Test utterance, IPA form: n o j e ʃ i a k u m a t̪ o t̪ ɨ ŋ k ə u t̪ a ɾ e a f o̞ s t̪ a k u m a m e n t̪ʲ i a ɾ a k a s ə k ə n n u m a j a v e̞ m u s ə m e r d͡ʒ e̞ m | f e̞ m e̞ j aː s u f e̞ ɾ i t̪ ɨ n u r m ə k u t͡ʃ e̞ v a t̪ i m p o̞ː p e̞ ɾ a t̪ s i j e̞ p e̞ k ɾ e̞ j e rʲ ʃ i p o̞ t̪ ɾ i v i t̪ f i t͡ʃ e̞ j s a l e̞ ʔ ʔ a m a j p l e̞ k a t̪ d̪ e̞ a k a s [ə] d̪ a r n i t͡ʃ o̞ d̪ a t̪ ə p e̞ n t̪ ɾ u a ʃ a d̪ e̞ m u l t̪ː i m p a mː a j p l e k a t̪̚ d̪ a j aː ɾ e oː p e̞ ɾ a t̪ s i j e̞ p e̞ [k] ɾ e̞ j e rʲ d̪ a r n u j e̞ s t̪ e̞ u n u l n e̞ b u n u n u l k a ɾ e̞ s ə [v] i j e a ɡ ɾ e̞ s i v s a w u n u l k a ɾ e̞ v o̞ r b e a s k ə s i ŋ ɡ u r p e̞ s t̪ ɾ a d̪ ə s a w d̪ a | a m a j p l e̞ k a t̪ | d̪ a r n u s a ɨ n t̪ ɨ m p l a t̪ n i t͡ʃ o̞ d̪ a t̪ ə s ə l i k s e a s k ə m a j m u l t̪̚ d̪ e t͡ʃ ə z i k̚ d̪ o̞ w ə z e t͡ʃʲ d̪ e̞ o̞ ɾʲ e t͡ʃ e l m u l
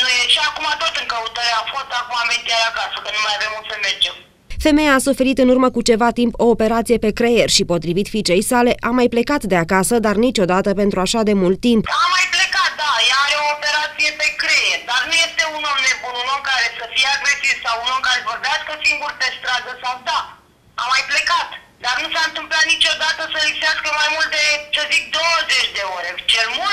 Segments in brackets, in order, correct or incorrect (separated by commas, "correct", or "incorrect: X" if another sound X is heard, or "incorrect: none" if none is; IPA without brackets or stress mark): correct, correct, incorrect: f